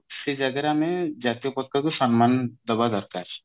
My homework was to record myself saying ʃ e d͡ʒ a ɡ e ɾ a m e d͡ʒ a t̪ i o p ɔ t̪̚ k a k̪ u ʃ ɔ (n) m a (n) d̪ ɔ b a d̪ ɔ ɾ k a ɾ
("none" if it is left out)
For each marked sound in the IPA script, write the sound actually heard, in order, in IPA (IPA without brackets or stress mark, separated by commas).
n, n